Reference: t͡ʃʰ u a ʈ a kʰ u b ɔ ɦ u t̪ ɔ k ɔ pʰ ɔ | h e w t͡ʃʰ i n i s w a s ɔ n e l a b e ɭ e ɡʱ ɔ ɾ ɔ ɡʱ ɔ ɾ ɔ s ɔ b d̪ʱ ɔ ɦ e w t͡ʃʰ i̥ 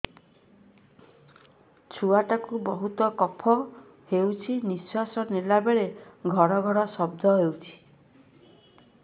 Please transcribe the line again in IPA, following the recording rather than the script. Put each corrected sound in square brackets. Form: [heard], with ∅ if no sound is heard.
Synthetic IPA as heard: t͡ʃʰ u a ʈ a [k] u b ɔ ɦ u t̪ ɔ k ɔ pʰ ɔ | h e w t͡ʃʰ i n i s w a s ɔ n e l a b e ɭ e ɡʱ ɔ ɾ ɔ ɡʱ ɔ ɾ ɔ s ɔ b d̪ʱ ɔ ɦ e w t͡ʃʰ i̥